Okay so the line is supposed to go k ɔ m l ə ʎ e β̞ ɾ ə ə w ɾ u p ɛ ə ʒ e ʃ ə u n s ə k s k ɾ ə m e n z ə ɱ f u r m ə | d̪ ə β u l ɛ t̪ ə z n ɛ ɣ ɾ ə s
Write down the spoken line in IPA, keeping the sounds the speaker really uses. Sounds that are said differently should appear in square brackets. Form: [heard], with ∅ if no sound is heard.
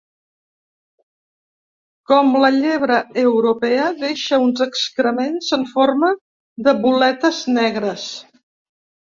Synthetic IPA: k ɔ m l ə ʎ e β̞ ɾ ə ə w ɾ u p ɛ ə [ð] e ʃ ə u n [z] ə k s k ɾ ə m e n z ə ɱ f [o] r m ə | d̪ ə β u l ɛ t̪ ə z n ɛ ɣ ɾ ə s

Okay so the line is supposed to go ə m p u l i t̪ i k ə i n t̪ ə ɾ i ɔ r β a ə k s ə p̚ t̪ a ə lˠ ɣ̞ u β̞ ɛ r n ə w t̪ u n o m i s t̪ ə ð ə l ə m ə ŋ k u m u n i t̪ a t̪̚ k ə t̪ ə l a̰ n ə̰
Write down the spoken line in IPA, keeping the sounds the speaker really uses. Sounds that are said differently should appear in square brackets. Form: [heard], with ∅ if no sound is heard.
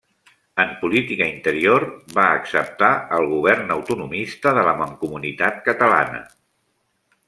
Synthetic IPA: ə m p u l i t̪ i k ə i n t̪ ə ɾ i [o] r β a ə k s ə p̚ t̪ a ə lˠ ɣ̞ u β̞ ɛ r n ə w t̪ u n [u] m i s t̪ ə ð ə l ə m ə ŋ k u m u n i t̪ a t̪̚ k ə t̪ ə l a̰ n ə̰

